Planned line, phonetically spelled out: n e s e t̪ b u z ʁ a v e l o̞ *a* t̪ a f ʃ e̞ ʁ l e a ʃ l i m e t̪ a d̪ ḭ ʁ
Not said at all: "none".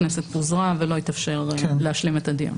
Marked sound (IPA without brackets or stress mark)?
i